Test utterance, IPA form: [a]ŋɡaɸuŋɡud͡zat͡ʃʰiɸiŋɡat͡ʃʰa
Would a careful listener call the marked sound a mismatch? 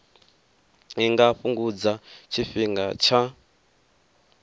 yes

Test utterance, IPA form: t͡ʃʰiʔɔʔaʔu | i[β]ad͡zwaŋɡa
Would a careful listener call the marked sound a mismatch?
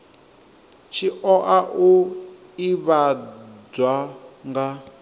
no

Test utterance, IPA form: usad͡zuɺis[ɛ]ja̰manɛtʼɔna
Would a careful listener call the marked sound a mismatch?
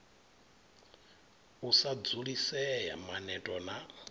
no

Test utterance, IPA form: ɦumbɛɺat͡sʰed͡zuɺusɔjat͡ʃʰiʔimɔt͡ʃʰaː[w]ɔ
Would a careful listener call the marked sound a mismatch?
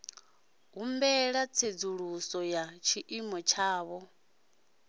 yes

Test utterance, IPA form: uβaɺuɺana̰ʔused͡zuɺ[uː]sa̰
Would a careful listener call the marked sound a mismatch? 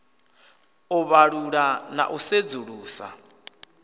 no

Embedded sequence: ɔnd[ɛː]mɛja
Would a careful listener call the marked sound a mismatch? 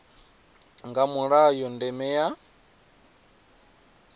yes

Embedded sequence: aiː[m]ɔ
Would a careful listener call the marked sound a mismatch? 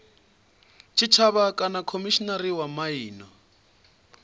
yes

